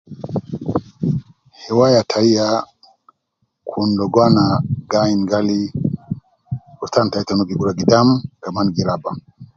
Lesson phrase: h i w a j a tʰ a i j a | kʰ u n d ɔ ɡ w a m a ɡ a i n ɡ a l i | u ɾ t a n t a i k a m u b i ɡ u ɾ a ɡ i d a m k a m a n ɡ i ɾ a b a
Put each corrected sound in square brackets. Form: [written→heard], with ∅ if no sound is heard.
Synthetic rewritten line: h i w a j a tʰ a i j a | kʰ u n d ɔ ɡ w a [m→n] a ɡ a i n ɡ a l i | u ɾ t a n t a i [k→t] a [m→n] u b i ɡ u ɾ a ɡ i d a m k a m a n ɡ i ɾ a b a